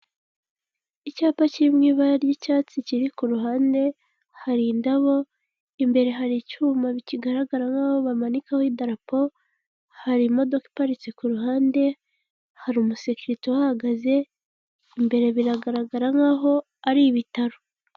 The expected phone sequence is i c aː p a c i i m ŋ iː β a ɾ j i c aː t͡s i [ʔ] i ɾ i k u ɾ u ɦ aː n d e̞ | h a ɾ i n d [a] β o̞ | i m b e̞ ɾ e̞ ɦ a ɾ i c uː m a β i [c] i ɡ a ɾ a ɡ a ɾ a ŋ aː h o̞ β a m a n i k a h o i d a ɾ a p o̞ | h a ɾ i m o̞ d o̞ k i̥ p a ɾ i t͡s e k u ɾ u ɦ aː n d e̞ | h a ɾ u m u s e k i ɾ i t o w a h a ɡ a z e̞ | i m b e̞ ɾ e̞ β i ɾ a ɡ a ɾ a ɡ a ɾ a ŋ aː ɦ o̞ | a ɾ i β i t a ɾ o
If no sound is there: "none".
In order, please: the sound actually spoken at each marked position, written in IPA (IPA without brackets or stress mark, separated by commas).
c, a, c